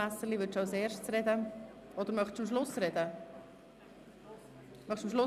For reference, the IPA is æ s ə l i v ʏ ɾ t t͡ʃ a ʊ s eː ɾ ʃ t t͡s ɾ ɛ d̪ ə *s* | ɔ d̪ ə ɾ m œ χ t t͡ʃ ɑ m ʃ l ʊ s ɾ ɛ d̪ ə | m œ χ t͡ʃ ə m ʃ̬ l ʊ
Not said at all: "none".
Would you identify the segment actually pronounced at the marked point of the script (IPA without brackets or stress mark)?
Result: none